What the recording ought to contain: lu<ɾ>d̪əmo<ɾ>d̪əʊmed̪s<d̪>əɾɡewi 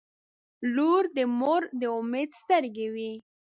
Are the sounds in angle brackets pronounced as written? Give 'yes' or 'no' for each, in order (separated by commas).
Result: yes, yes, no